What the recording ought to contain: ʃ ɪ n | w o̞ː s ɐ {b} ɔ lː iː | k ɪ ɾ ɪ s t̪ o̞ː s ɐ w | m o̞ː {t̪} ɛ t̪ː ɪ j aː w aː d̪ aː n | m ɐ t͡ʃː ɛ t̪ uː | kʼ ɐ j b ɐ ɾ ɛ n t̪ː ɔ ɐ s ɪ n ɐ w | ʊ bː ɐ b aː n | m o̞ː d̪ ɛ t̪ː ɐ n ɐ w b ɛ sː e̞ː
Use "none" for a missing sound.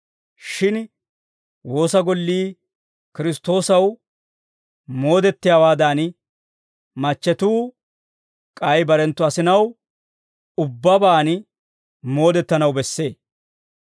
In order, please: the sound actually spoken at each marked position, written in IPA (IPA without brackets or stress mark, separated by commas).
ɡ, d̪